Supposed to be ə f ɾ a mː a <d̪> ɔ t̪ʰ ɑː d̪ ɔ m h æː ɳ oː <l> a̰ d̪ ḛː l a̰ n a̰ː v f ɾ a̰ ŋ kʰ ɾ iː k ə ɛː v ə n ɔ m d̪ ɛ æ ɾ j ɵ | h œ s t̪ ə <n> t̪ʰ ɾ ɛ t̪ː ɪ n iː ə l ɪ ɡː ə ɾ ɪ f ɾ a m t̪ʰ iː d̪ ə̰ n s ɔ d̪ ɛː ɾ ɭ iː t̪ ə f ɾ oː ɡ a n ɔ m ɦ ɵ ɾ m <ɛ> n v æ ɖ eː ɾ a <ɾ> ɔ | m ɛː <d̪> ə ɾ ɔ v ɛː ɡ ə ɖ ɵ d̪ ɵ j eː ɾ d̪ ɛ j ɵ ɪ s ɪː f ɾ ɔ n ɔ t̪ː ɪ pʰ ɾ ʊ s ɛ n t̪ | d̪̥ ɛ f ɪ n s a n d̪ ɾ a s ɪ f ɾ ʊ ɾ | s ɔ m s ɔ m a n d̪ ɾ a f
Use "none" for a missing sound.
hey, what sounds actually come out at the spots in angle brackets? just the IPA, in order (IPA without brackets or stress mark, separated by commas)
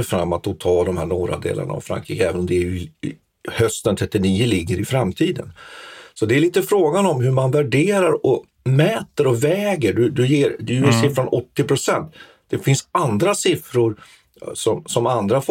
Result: t̪, ɾ, n, a, ɾ, t̪